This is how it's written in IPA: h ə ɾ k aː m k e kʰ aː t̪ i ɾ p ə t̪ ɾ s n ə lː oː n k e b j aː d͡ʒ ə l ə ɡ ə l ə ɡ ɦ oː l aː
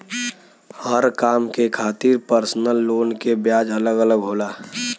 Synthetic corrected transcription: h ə ɾ k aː m k e kʰ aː t̪ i ɾ p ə ɾ s n ə lː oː n k e b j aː d͡ʒ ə l ə ɡ ə l ə ɡ ɦ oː l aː